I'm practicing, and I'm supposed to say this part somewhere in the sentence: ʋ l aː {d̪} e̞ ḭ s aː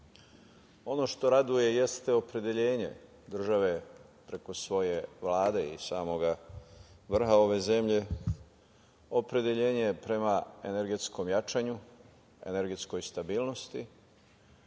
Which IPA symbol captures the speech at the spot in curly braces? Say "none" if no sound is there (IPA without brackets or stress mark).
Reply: d̪